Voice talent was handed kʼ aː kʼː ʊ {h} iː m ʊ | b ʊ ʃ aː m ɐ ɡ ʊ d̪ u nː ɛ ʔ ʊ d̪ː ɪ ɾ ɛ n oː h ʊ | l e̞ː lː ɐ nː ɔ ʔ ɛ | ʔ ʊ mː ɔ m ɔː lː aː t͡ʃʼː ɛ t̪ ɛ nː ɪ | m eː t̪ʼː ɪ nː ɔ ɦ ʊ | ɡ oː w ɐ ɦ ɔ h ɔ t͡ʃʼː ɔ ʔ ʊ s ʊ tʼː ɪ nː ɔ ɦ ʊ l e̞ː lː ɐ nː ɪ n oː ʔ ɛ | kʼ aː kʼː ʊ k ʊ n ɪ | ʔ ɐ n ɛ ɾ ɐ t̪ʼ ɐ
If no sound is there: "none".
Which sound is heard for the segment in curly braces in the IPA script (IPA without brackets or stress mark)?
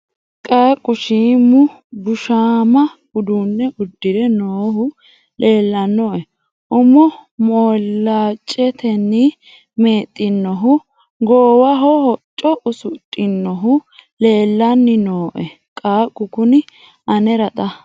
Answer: ʃ